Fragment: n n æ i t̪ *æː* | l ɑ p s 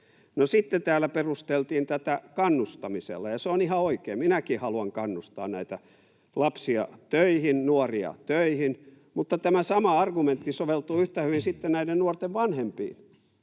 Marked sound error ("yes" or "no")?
yes